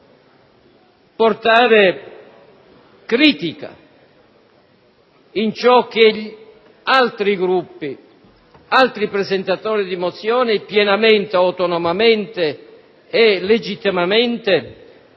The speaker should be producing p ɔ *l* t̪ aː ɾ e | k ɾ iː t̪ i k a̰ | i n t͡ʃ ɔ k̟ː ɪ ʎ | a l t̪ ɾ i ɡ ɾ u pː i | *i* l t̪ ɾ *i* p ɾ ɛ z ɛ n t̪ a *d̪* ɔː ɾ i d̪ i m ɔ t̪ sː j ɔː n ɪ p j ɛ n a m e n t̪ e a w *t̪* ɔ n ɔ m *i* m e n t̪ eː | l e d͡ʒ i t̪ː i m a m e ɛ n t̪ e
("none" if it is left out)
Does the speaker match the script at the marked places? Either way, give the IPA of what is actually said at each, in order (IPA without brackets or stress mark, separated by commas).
r, a, i, t̪, t̪, a